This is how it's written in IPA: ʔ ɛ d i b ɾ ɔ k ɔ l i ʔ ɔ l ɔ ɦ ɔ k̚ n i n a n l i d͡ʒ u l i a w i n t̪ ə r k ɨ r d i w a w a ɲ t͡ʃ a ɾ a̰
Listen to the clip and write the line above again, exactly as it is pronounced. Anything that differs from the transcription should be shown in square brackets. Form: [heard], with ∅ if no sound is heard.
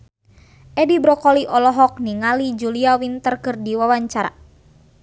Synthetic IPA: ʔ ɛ d i b ɾ ɔ k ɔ l i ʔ ɔ l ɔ ɦ ɔ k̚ n i [ŋ] a [∅] l i d͡ʒ u l i a w i n t̪ ə r k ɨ r d i w a w a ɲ t͡ʃ a ɾ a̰